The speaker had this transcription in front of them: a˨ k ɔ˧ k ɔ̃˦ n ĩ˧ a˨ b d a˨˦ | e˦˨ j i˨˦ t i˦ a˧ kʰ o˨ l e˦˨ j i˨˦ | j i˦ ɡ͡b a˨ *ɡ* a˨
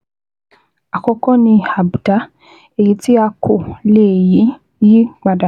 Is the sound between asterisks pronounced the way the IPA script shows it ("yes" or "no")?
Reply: no